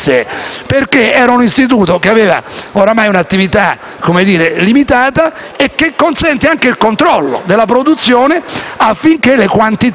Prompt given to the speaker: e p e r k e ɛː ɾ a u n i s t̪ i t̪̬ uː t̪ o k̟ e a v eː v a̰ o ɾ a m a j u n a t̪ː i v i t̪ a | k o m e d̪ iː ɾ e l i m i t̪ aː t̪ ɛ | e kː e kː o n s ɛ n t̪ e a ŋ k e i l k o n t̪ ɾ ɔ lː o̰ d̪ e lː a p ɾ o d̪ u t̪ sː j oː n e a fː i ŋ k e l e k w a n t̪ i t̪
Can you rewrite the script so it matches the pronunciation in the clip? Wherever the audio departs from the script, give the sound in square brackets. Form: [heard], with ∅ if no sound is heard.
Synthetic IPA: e p e r k e ɛː ɾ a u n i s t̪ i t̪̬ uː t̪ o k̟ e a v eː v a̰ o ɾ a m a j u n a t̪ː i v i t̪ a | k o m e d̪ iː ɾ e l i m i t̪ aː t̪ [a] | e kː e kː o n s ɛ n t̪ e a ŋ k e i l k o n t̪ ɾ ɔ lː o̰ d̪ e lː a p ɾ o d̪ u t̪ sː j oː n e a fː i ŋ k e l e k w a n t̪ i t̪